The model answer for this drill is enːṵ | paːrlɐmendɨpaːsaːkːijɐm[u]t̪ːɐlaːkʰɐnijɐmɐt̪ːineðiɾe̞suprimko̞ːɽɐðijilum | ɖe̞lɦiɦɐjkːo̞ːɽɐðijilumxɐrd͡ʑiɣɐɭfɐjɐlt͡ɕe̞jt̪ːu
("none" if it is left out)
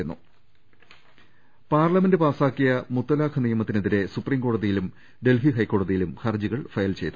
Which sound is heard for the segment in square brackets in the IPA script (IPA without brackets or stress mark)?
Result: u